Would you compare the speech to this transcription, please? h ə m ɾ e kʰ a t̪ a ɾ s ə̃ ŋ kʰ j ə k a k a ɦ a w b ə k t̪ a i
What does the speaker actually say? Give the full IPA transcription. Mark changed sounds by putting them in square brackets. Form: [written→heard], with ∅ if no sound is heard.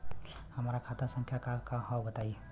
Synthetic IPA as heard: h ə m ɾ [e→a] kʰ a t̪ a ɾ s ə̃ ŋ kʰ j [ə→a] k a k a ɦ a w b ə [k→∅] t̪ a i